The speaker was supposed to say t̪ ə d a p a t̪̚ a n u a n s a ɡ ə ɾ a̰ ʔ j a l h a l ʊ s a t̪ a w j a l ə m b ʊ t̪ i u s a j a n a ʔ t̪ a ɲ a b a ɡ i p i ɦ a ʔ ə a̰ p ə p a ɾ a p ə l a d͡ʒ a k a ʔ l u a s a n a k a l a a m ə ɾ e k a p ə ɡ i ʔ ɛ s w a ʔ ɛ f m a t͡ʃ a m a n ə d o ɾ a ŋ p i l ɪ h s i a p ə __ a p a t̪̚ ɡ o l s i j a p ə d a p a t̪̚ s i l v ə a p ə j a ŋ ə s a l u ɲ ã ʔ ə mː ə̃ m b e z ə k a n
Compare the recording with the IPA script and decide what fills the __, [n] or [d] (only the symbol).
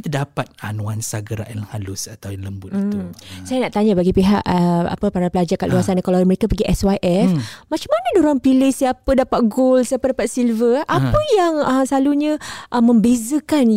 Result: d